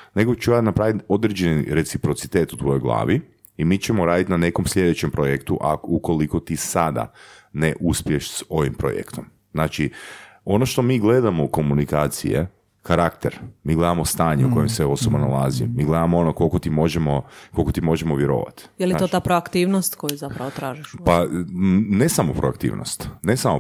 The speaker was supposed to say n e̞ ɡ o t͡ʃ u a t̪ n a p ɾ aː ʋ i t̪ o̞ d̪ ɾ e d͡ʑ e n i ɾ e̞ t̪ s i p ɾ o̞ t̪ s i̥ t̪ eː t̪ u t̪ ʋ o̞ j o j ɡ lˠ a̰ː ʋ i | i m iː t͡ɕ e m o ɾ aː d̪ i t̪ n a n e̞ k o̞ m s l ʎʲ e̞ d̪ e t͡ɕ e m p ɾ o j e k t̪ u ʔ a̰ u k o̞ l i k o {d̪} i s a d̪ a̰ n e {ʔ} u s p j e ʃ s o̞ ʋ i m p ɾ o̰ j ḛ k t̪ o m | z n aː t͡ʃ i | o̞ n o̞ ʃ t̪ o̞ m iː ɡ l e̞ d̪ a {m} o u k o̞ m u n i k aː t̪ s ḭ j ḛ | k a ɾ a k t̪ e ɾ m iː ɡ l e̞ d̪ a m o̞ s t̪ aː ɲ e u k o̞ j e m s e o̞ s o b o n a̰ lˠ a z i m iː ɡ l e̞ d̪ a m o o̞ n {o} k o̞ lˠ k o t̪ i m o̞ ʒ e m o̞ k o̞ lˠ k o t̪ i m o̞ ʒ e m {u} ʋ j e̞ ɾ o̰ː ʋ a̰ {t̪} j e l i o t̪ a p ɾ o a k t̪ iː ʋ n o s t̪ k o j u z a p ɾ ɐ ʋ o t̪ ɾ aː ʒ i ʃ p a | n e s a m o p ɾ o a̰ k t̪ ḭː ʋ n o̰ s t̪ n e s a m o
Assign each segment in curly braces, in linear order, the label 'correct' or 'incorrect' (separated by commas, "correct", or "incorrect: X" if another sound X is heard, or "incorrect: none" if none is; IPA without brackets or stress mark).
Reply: incorrect: t̪, correct, correct, correct, incorrect: o, correct